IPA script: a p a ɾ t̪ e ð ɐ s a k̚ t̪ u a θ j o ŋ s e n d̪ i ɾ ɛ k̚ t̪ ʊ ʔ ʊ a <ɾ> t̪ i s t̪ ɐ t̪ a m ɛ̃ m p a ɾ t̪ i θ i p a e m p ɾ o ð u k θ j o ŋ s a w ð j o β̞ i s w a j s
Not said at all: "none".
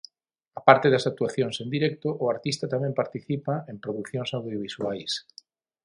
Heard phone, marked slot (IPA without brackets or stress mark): ɾ